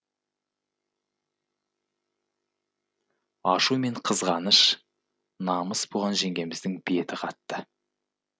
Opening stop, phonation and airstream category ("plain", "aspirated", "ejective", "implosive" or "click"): aspirated